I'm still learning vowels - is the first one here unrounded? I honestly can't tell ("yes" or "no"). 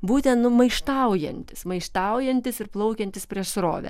no